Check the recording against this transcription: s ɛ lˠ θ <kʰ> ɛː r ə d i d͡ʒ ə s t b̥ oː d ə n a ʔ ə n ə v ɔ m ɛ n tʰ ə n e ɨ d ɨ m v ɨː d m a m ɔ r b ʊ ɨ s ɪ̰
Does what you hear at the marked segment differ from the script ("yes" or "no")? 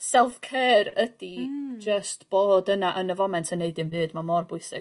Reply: no